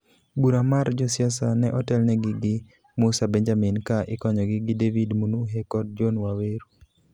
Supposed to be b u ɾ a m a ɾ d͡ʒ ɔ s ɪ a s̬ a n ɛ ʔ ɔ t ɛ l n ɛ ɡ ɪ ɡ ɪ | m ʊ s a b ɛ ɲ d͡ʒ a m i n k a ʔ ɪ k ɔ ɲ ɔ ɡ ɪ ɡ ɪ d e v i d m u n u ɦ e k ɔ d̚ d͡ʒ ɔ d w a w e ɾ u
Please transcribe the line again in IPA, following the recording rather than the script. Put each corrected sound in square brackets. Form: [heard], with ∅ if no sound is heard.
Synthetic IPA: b u ɾ a m a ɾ d͡ʒ ɔ s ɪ a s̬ a n ɛ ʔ ɔ t ɛ l n ɛ ɡ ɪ ɡ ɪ | m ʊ s a b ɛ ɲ d͡ʒ a m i n k a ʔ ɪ k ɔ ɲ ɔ ɡ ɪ ɡ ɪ d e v i d m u n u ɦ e k ɔ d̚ d͡ʒ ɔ [n] w a w e ɾ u